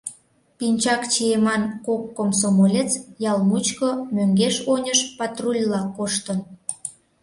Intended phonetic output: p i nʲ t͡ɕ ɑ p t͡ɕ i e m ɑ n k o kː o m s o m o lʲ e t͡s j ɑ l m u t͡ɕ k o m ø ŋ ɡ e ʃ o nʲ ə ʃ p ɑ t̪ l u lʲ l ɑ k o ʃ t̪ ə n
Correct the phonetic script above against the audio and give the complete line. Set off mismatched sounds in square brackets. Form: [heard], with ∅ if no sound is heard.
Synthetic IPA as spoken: p i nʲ t͡ɕ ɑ [k] t͡ɕ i e m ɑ n k o kː o m s o m o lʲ e t͡s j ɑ l m u t͡ɕ k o m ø ŋ ɡ e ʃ o nʲ ə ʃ p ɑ t̪ [r] u lʲ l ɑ k o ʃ t̪ ə n